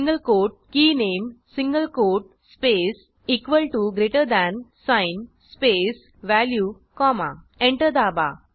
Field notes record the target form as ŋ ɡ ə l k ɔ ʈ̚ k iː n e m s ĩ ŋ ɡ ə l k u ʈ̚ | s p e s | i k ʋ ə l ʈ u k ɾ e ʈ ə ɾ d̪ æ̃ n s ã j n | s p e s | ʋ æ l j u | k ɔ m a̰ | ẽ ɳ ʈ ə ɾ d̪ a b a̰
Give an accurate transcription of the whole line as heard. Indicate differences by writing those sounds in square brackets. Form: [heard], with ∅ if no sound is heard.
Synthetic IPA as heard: ŋ ɡ ə l k [o] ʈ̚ k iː n e m s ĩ ŋ ɡ ə l k [o] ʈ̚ | s p e s | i k ʋ ə l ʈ u [ɡ] ɾ e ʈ ə ɾ d̪ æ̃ n s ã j n | s p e s | ʋ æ l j u | k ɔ m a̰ | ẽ ɳ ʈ ə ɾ d̪ a b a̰